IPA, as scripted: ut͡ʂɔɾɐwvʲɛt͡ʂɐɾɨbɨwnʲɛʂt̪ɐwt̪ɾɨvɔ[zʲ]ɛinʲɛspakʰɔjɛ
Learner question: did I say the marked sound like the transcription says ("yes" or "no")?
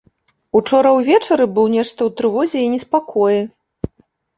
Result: yes